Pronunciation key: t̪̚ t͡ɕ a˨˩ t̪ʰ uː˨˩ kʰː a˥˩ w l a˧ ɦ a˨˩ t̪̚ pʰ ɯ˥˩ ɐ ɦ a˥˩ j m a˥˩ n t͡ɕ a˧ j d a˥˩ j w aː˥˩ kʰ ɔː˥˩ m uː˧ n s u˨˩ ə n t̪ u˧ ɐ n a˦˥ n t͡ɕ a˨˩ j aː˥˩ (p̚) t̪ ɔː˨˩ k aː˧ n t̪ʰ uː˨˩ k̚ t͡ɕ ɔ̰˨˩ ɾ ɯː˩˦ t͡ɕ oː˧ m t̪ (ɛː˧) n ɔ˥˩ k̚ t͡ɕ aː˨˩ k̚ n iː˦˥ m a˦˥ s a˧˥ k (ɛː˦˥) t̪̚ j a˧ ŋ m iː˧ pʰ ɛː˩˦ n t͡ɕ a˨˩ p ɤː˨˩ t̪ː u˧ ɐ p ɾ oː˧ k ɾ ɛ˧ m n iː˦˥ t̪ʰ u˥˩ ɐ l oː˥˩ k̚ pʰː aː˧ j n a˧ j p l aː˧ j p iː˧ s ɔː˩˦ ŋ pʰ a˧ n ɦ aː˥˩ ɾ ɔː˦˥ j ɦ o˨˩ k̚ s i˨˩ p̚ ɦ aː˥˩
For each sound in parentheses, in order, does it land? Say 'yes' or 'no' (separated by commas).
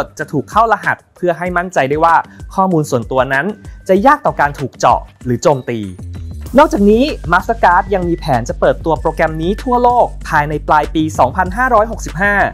no, no, no